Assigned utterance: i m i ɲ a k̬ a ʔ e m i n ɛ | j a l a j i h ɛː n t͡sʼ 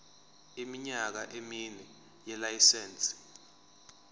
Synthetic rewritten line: i m i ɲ a k̬ a ʔ e m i n ɛ | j ɛ l a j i s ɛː n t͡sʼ